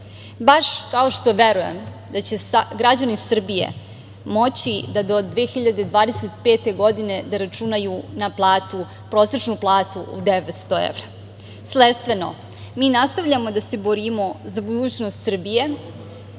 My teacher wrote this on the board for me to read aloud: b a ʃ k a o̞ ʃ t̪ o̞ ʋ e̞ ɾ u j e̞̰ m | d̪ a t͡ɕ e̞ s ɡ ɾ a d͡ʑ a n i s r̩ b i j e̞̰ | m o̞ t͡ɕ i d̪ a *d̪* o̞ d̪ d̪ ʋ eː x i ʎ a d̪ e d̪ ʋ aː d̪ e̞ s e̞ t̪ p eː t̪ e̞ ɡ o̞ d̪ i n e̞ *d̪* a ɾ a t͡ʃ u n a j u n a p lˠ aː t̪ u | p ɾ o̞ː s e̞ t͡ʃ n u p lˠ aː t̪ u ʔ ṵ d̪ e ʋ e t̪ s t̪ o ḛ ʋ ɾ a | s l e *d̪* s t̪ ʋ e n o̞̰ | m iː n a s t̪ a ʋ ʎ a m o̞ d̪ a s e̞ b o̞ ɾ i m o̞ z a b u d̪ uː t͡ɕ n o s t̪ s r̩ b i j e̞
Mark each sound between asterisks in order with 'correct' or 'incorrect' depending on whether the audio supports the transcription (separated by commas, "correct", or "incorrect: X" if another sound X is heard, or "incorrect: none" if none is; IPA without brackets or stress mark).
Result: correct, correct, incorrect: t̪